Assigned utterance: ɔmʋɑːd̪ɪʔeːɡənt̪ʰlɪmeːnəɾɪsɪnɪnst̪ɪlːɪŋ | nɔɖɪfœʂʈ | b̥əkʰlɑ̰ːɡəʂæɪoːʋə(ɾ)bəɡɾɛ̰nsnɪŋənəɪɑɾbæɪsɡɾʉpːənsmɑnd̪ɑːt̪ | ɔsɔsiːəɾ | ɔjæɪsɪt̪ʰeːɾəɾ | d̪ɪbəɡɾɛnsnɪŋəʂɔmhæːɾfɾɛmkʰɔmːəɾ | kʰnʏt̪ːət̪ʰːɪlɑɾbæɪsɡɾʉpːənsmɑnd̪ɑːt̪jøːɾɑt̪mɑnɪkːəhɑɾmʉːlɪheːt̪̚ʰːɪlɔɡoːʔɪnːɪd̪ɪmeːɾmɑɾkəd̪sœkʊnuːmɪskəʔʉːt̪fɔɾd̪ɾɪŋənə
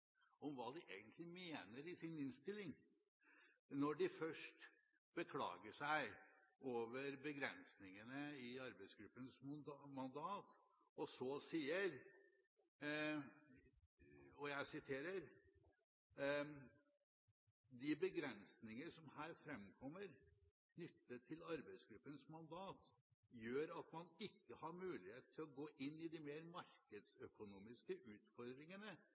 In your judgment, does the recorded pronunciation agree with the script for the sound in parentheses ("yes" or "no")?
yes